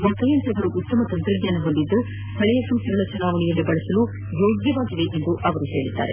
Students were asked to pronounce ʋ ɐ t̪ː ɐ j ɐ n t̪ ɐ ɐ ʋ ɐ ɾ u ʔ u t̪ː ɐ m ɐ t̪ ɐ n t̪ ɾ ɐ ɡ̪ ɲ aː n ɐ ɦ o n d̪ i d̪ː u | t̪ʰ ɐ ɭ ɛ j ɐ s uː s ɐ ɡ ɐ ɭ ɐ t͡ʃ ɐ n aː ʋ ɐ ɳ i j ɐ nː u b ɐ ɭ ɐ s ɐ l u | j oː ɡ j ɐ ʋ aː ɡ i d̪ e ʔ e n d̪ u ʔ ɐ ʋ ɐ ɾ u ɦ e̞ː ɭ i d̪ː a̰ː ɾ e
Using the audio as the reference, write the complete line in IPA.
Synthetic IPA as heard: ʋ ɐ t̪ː ɐ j ɐ n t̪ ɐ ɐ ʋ ɐ ɾ u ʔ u t̪ː ɐ m ɐ t̪ ɐ n t̪ ɾ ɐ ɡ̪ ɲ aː n ɐ ɦ o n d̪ i d̪ː u | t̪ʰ ɐ ɭ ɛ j ɐ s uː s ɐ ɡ ɐ ɭ ɐ t͡ʃ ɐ n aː ʋ ɐ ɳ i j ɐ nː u b ɐ ɭ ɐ s ɐ l u | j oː ɡ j ɐ ʋ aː ɡ i d̪ e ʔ e n d̪ u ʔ ɐ ʋ ɐ ɾ u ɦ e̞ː ɭ i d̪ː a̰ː ɾ e